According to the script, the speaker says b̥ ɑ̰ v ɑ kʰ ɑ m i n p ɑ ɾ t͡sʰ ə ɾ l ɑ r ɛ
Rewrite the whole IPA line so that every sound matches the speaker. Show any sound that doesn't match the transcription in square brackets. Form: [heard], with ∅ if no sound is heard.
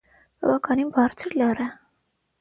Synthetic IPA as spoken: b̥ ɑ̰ v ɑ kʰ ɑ [n] i n [b] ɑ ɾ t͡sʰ ə ɾ l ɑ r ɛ